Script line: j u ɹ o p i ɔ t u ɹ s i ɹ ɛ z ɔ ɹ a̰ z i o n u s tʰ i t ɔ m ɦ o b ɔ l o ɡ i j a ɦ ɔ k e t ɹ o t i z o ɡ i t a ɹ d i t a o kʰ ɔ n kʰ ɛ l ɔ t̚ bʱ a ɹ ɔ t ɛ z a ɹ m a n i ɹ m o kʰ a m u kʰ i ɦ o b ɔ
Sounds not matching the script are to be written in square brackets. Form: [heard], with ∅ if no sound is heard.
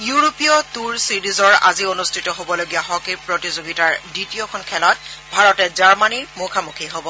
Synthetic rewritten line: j u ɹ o p i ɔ t u ɹ s i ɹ [i] z ɔ ɹ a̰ z i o n u s tʰ i t ɔ [∅] ɦ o b ɔ l o ɡ i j a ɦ ɔ k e [p] ɹ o t i z o ɡ i t a ɹ d i t [i] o kʰ ɔ n kʰ ɛ l ɔ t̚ bʱ a ɹ ɔ t ɛ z a ɹ m a n i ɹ m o kʰ a m u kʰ i ɦ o b ɔ